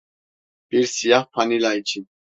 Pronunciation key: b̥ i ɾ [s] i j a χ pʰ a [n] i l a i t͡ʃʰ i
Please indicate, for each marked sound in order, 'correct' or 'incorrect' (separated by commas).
correct, correct